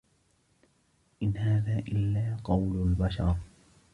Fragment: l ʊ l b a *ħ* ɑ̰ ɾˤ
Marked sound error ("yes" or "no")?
yes